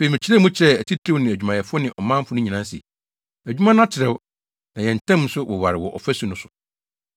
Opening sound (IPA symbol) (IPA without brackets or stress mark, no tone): f